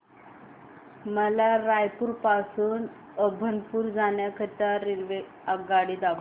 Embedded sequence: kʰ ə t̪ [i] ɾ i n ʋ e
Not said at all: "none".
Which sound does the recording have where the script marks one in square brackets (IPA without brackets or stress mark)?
a